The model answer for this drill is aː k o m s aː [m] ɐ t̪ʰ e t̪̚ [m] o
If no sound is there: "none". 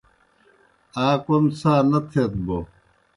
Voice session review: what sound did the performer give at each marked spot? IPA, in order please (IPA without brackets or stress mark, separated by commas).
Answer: n, b